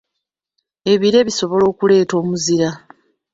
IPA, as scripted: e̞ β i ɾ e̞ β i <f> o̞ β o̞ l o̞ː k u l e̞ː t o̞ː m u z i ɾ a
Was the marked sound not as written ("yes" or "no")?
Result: yes